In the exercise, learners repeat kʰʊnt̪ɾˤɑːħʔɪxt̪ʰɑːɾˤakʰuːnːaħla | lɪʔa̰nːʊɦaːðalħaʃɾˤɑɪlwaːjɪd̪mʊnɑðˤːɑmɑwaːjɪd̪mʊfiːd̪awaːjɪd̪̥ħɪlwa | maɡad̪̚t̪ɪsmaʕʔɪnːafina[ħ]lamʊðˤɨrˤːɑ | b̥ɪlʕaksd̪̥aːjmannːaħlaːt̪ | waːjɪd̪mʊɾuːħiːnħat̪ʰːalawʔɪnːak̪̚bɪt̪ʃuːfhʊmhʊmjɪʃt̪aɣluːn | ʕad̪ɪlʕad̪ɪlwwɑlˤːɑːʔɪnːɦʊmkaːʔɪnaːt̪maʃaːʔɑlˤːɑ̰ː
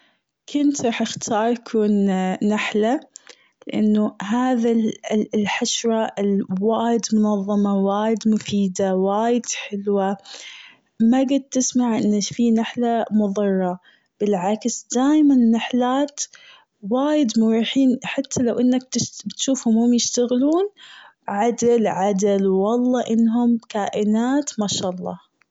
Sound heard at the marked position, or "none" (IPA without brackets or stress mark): ħ